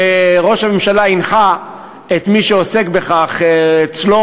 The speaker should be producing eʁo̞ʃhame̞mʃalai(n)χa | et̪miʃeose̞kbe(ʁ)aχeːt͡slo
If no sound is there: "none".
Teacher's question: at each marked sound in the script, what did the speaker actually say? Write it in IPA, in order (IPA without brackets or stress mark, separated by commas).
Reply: n, χ